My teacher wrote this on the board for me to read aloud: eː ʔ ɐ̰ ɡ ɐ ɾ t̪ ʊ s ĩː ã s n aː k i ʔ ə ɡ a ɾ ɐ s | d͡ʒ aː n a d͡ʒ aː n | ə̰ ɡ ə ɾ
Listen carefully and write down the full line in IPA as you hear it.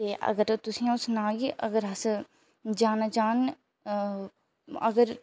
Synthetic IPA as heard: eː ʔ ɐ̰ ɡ ə ɾ t̪ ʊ s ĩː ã s n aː ɡ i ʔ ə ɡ ə ɾ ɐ s | d͡ʒ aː n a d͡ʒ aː n | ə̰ ɡ ə ɾ